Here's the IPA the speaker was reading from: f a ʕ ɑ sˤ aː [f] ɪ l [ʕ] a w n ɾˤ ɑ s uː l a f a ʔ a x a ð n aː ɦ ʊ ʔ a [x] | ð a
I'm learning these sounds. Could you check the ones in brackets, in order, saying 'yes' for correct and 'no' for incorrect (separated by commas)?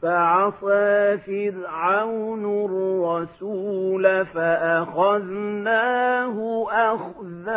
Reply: yes, yes, yes